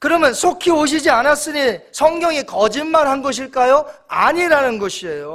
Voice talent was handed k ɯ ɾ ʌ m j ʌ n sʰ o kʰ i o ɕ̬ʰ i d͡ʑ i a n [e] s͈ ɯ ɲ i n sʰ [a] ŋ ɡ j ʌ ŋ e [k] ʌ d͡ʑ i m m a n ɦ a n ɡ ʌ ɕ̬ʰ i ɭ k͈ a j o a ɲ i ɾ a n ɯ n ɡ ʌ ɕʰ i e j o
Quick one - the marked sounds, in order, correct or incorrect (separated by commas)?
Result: incorrect, incorrect, correct